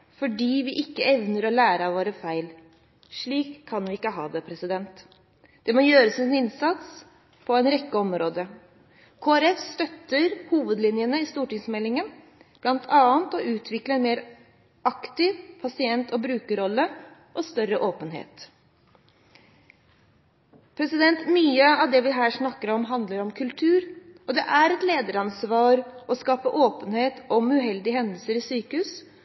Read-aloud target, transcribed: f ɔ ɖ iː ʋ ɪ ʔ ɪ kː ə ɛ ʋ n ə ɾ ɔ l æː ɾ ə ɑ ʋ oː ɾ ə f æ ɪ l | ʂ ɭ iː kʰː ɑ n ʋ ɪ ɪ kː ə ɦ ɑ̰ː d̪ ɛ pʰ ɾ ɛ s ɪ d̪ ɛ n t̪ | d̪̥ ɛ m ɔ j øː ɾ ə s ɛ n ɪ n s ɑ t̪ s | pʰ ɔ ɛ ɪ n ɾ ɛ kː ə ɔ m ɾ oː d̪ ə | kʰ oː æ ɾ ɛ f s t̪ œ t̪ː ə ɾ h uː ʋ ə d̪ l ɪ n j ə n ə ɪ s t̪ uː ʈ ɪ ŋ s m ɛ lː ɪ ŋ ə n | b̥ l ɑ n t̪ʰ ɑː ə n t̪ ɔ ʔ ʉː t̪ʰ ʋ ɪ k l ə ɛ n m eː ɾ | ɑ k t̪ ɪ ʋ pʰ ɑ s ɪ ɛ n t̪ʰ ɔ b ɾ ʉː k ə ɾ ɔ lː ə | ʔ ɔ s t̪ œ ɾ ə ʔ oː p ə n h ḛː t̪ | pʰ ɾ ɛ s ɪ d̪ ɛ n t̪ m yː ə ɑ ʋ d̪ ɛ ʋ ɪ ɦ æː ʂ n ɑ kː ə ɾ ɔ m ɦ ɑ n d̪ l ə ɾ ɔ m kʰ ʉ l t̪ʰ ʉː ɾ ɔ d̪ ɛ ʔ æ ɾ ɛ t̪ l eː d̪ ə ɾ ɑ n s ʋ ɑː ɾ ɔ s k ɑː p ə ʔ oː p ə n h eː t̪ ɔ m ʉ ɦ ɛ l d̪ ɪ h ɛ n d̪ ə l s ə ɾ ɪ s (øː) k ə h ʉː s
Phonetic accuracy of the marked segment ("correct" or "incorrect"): incorrect